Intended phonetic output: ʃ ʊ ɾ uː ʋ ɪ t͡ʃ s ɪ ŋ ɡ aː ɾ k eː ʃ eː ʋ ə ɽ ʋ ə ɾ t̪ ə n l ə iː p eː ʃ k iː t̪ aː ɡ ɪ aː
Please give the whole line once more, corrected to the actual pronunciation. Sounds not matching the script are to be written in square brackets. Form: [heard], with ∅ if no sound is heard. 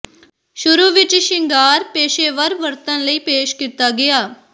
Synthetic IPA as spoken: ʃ ʊ ɾ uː ʋ ɪ t͡ʃ [ʃ] ɪ ŋ ɡ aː ɾ [p] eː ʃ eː ʋ ə [ɾ] ʋ ə ɾ t̪ ə n l ə iː p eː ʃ k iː t̪ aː ɡ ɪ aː